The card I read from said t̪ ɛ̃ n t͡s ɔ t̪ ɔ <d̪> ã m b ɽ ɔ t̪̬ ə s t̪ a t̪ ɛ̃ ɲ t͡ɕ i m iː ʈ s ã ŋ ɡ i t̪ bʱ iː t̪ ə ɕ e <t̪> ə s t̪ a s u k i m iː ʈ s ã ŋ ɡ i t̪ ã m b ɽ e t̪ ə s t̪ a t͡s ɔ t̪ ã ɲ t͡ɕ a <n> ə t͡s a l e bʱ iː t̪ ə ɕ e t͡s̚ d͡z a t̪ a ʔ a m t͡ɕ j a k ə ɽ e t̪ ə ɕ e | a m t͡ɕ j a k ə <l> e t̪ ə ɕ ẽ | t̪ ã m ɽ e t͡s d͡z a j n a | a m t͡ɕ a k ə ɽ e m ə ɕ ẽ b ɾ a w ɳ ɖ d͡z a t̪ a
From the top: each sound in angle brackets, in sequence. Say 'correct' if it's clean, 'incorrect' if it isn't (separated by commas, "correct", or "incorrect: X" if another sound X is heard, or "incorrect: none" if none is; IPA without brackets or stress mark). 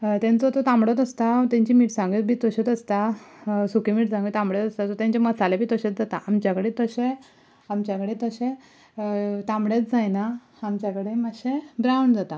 incorrect: t̪, correct, incorrect: m, incorrect: ɽ